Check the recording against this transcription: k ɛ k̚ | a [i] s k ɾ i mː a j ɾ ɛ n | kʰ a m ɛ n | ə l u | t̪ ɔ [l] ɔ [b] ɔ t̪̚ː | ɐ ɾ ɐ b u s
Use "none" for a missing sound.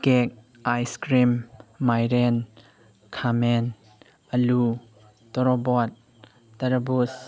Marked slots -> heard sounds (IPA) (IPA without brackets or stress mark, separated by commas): j, ɾ, b